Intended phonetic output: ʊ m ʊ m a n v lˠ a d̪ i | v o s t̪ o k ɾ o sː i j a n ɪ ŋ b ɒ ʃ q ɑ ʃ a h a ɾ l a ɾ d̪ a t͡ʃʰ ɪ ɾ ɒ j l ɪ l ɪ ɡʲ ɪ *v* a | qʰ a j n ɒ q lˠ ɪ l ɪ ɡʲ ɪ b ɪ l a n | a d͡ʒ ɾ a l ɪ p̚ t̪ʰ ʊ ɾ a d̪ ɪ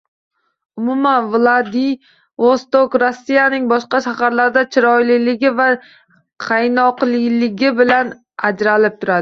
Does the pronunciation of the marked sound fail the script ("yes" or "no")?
no